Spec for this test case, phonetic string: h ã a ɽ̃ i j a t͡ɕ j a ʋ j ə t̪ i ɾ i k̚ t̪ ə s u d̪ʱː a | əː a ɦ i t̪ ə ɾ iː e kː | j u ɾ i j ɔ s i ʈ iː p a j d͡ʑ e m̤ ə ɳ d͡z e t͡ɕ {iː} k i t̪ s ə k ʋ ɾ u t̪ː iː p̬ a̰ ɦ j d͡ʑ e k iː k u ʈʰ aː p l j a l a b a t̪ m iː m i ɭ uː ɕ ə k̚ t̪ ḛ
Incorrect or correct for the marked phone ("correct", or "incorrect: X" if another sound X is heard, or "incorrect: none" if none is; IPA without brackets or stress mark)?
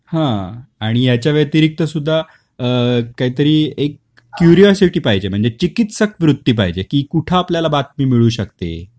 incorrect: i